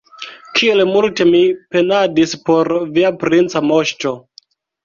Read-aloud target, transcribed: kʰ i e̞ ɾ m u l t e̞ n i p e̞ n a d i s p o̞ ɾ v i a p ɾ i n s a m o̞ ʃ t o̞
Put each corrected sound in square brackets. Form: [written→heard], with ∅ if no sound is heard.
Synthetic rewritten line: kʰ i e̞ [ɾ→l] m u l t e̞ [n→m] i p e̞ n a d i s p o̞ ɾ v i a p ɾ i n [s→t͡s] a m o̞ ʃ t o̞